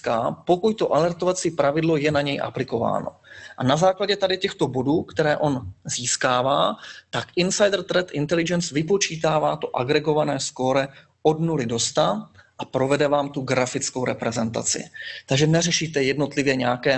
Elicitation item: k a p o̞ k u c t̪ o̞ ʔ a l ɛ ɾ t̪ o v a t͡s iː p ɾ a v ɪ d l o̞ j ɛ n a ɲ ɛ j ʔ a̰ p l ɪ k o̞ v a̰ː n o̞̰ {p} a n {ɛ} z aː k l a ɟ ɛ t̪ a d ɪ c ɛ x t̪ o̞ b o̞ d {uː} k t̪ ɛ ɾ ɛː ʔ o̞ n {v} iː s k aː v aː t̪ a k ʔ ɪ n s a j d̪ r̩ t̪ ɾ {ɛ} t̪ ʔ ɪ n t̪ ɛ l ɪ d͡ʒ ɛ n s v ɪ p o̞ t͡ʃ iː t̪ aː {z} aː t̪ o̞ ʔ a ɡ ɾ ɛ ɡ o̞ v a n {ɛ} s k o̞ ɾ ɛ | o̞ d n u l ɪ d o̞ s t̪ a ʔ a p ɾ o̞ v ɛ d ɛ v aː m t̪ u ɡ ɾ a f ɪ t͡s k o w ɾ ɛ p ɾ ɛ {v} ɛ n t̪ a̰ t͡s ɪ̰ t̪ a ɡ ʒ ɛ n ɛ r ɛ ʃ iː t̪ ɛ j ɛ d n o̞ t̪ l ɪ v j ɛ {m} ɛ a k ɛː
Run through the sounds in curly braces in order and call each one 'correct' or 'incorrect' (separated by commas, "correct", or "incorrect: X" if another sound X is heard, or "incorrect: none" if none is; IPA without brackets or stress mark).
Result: incorrect: ʔ, incorrect: a, correct, incorrect: z, correct, incorrect: v, incorrect: ɛː, incorrect: z, incorrect: ɲ